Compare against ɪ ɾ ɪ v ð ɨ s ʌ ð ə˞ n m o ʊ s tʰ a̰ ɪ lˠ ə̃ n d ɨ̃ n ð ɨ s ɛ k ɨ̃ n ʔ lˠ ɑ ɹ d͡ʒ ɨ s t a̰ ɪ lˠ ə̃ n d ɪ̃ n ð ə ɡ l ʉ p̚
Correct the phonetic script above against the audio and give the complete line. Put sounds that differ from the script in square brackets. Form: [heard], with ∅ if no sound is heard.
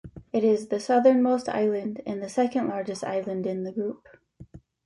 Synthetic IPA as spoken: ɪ ɾ ɪ [z] ð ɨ s ʌ ð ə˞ n m o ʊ s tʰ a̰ ɪ lˠ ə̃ n d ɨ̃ n ð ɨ s ɛ k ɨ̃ n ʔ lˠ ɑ ɹ d͡ʒ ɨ s t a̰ ɪ lˠ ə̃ n d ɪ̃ n ð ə ɡ [ɹ] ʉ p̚